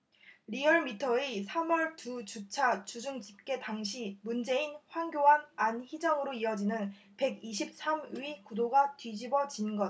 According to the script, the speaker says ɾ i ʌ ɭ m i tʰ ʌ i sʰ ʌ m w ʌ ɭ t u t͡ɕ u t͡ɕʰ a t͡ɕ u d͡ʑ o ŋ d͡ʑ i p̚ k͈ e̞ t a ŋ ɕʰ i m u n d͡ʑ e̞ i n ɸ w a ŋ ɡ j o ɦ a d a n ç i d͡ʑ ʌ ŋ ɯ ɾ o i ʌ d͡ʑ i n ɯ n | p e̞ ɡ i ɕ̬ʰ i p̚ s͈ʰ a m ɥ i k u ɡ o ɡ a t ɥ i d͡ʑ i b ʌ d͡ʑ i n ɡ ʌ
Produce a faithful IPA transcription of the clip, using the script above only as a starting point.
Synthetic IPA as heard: ɾ i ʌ ɭ m i tʰ ʌ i sʰ a m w ʌ ɭ t u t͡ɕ u t͡ɕʰ a t͡ɕ u d͡ʑ u ŋ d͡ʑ i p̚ k͈ e̞ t a ŋ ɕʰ i m u n d͡ʑ e̞ i n ɸ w a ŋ ɡ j o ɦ a n a n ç i d͡ʑ ʌ ŋ ɯ ɾ o i ʌ d͡ʑ i n ɯ n | p e̞ ɡ i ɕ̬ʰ i p̚ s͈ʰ a m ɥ i k u d o ɡ a t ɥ i d͡ʑ i b ʌ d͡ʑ i n ɡ ʌ